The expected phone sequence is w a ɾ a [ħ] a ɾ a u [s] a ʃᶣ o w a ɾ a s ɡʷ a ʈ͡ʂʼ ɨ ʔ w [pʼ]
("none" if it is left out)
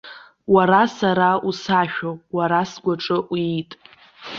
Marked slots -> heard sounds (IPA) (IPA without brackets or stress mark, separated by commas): s, s, tʼ